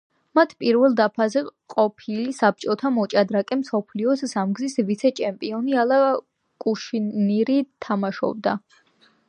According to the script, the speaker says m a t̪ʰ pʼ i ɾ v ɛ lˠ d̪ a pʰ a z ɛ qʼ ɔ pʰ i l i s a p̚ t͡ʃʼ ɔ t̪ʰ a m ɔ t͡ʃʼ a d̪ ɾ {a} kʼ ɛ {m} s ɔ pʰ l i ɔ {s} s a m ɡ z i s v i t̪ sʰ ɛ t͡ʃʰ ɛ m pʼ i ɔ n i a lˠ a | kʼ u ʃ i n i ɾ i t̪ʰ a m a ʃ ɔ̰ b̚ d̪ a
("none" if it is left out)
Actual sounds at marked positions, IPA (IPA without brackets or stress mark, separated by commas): a, m, s